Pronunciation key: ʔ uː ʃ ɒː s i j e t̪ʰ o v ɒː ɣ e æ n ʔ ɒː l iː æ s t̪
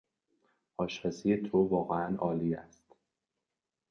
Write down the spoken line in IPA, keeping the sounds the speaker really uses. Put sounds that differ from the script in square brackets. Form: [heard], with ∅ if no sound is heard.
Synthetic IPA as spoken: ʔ [ɒː] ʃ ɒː s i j e t̪ʰ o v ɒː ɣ e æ n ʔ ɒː l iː æ s t̪